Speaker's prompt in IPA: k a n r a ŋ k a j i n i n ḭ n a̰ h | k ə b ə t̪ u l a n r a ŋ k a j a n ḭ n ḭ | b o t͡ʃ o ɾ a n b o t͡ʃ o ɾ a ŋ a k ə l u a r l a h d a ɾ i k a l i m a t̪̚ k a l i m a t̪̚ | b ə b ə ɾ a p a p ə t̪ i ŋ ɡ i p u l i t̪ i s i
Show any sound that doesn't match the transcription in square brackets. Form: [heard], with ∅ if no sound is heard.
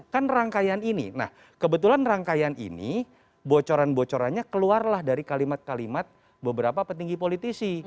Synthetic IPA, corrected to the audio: k a n r a ŋ k a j [a] n i n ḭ n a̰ h | k ə b ə t̪ u l a n r a ŋ k a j a n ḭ n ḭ | b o t͡ʃ o ɾ a n b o t͡ʃ o ɾ a [ɲ] a k ə l u a r l a h d a ɾ i k a l i m a t̪̚ k a l i m a t̪̚ | b ə b ə ɾ a p a p ə t̪ i ŋ ɡ i p [o] l i t̪ i s i